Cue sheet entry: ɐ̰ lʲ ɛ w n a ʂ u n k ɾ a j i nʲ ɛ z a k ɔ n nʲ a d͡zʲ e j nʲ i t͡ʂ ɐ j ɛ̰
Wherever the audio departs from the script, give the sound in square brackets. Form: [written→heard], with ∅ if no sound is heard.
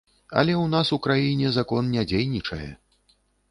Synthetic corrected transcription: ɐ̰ lʲ ɛ w n a [ʂ→s] u [n→∅] k ɾ a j i nʲ ɛ z a k ɔ n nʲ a d͡zʲ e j nʲ i t͡ʂ ɐ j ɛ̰